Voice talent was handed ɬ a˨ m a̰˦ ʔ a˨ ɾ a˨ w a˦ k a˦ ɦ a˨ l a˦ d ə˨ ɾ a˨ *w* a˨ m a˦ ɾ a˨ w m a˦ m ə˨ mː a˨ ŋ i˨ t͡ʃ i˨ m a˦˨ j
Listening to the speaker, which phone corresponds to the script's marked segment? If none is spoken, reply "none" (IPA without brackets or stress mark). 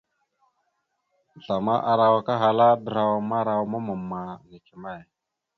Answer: w